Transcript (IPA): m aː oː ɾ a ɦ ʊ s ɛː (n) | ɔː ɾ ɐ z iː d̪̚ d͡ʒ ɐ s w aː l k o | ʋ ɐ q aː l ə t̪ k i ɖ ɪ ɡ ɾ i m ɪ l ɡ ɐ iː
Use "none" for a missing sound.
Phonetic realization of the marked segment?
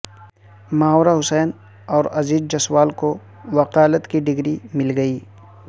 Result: n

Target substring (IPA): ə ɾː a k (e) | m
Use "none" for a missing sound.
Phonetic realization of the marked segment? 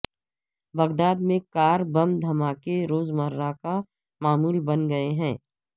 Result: a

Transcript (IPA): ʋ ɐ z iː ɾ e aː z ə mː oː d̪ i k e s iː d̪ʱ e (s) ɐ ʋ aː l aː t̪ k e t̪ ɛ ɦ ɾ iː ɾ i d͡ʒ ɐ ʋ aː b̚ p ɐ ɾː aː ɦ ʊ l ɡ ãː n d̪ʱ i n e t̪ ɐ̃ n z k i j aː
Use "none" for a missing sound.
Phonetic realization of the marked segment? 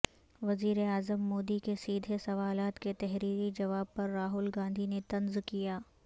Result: s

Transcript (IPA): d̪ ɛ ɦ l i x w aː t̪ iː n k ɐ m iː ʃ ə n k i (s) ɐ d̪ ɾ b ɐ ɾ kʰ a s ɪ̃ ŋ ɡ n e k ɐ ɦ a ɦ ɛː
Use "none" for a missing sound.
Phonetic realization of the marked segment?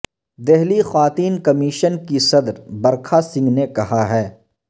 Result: s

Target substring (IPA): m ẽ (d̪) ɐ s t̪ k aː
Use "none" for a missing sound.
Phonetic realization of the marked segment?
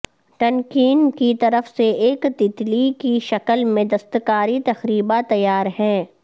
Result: d̪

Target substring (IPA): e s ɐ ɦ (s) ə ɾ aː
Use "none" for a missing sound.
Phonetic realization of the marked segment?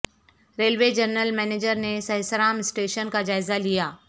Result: s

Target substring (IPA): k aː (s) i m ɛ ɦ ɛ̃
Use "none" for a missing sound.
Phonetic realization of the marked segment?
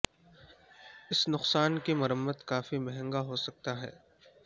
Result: f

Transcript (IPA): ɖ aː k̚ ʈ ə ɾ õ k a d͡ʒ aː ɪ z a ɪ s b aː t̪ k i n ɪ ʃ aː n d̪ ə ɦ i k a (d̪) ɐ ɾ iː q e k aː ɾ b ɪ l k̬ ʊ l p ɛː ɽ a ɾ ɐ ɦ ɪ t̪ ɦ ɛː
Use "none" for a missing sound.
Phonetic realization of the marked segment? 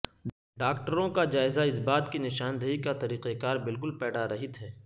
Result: t̪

